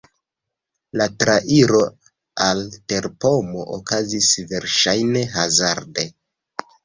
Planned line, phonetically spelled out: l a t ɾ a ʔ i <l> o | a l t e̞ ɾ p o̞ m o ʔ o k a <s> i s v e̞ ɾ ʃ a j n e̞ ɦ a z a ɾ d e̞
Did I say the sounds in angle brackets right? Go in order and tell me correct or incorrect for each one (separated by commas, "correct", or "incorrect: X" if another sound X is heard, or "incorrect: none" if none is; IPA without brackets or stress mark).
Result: incorrect: ɾ, incorrect: z